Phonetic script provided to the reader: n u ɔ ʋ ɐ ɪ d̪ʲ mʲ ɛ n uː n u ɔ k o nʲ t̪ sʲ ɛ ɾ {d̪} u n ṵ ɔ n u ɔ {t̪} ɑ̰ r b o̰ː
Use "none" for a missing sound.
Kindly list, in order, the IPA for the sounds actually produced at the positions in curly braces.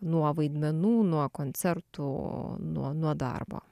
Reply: t̪, d̪

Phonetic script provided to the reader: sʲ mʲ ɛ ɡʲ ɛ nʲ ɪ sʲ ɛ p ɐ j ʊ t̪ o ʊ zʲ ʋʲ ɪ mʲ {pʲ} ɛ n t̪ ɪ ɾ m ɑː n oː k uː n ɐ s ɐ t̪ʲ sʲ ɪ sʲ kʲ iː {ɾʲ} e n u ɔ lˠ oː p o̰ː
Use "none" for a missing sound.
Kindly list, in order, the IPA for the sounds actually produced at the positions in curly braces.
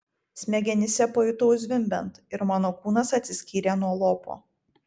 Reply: bʲ, ɾʲ

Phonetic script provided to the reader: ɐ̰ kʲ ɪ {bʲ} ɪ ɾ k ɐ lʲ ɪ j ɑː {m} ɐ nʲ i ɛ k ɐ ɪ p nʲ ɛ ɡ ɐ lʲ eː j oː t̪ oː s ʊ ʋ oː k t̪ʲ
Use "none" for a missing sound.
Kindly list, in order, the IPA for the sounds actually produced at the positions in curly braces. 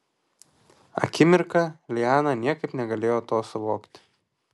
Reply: mʲ, n

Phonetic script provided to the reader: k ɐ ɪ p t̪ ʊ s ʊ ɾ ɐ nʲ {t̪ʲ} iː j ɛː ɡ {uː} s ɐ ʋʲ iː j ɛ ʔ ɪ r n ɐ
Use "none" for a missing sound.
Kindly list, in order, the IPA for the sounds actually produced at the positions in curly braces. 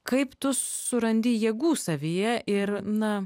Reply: d̪ʲ, uː

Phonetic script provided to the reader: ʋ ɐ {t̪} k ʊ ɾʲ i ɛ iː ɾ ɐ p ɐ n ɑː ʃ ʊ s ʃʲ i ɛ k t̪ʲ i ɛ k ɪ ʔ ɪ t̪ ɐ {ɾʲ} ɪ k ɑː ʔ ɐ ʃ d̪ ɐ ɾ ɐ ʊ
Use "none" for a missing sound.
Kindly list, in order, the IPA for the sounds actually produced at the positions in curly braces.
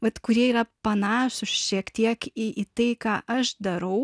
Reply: t̪, none

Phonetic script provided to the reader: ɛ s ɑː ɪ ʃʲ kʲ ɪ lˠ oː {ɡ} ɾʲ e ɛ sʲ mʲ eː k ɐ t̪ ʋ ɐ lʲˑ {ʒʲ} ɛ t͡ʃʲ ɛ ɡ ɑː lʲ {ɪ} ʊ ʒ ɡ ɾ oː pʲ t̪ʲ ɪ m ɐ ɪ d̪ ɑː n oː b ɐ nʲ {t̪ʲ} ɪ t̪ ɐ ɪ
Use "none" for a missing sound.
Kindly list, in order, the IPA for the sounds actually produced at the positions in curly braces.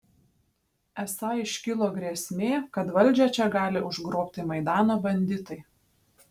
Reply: ɡ, d͡ʒʲ, ɪ, d̪ʲ

